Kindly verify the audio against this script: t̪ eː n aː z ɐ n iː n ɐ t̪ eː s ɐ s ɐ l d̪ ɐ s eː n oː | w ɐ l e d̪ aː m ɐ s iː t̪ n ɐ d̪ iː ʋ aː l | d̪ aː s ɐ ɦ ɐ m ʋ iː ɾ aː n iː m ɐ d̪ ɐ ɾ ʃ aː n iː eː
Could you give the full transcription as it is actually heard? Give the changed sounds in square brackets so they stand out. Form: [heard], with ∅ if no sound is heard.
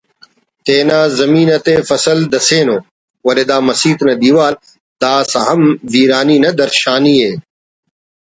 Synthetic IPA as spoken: t̪ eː n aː z ɐ [m] iː n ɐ t̪ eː [f] ɐ s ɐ l d̪ ɐ s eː n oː | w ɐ l e d̪ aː m ɐ s iː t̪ n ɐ d̪ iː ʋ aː l | d̪ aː s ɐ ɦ ɐ m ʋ iː ɾ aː n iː [n] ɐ d̪ ɐ ɾ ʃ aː n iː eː